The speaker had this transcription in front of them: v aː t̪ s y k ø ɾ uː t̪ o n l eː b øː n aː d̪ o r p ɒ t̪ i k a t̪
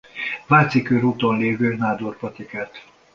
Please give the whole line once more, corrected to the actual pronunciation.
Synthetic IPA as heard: v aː t̪ s i k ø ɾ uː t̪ o n l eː v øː n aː d̪ o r p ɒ t̪ i k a t̪